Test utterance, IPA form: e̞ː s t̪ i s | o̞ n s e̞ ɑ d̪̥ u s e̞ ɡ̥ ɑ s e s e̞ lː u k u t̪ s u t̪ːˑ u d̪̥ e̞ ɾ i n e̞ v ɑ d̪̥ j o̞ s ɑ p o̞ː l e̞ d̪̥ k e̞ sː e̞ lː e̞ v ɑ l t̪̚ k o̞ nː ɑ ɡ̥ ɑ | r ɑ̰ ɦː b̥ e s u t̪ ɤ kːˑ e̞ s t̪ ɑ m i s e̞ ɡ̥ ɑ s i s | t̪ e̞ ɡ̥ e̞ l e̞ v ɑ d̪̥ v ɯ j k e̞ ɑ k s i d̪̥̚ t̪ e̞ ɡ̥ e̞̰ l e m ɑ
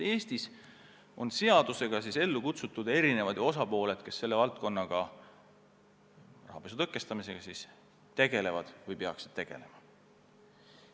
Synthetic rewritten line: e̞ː s t̪ i s | o̞ n s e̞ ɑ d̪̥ u s e̞ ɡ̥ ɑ s i s e̞ lː u k u t̪ s u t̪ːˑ u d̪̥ e̞ ɾ i n e̞ v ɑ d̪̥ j o̞ s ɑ p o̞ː l e̞ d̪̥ k e̞ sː e̞ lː e̞ v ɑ l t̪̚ k o̞ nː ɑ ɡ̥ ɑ | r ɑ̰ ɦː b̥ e s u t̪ ɤ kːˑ e̞ s t̪ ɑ m i s e̞ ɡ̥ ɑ s i s | t̪ e̞ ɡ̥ e̞ l e̞ v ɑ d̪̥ v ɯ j p e̞ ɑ k s i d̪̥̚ t̪ e̞ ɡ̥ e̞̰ l e m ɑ